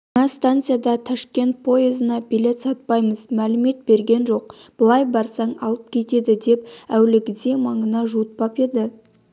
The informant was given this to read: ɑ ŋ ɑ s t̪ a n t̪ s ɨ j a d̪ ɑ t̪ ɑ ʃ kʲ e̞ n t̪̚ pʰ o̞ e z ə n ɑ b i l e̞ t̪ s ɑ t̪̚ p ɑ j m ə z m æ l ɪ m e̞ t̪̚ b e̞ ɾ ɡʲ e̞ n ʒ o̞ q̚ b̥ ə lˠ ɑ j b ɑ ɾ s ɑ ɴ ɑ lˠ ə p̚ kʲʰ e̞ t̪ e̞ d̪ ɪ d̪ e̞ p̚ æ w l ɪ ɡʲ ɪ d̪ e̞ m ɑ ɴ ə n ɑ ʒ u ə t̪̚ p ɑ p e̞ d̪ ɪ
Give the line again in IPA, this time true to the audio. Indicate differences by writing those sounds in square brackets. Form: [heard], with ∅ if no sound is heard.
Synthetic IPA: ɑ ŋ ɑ s t̪ a n t̪ s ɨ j a d̪ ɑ [t̪ʰ] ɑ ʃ kʲ e̞ n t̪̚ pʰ o̞ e z ə n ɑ b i l e̞ t̪ s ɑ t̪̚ p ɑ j m ə z m æ l ɪ m e̞ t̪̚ b e̞ ɾ ɡʲ e̞ n ʒ o̞ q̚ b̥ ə lˠ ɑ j b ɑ ɾ s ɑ ɴ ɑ lˠ ə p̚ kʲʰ e̞ t̪ e̞ d̪ ɪ d̪ e̞ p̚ æ w l ɪ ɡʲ ɪ d̪ e̞ m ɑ ɴ ə n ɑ ʒ u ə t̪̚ p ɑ p e̞ d̪ ɪ